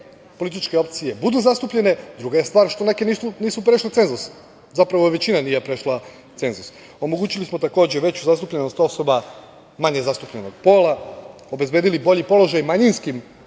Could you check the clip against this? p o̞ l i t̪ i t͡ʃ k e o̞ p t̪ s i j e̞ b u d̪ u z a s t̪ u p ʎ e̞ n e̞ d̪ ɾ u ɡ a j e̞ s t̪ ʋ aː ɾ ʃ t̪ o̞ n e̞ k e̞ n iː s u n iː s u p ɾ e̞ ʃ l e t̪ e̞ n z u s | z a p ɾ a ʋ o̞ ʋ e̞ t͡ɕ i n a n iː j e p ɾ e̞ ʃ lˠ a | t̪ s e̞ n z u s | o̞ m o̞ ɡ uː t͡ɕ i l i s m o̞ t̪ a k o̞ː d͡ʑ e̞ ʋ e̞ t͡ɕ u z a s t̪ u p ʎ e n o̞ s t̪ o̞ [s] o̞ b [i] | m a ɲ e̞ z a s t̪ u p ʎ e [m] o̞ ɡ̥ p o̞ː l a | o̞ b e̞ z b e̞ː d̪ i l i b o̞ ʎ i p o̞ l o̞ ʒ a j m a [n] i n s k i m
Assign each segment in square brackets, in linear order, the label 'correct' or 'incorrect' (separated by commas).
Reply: correct, incorrect, incorrect, incorrect